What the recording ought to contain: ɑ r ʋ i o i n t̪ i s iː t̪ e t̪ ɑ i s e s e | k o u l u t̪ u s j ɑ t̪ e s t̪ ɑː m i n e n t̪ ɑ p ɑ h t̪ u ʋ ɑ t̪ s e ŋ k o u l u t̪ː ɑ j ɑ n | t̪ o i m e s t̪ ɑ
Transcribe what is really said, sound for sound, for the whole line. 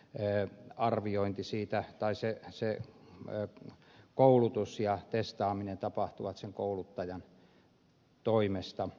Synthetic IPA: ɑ r ʋ i o i n t̪ i s iː t̪ æ t̪ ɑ i s e s e | k o u l u t̪ u s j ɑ t̪ e s t̪ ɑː m i n e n t̪ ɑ p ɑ h t̪ u ʋ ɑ t̪ s e ŋ k o u l u t̪ː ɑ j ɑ n | t̪ o i m e s t̪ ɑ